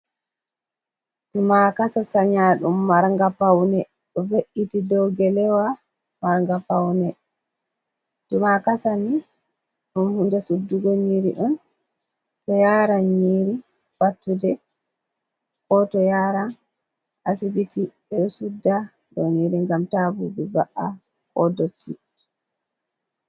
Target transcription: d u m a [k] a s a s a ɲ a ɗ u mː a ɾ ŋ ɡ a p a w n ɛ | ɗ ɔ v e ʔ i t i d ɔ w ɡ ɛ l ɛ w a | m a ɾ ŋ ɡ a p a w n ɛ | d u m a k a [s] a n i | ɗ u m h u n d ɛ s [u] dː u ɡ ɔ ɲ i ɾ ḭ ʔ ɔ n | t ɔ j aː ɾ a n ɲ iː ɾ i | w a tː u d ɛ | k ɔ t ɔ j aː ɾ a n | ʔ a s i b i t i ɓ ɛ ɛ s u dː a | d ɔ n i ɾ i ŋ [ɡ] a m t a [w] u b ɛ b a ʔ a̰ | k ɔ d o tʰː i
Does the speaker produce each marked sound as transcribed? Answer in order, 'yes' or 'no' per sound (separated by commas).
yes, yes, yes, yes, no